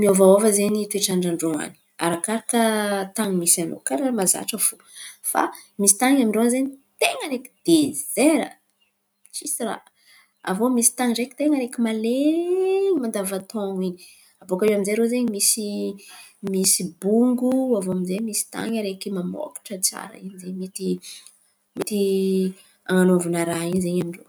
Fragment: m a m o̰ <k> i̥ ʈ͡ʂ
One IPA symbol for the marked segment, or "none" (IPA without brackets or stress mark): k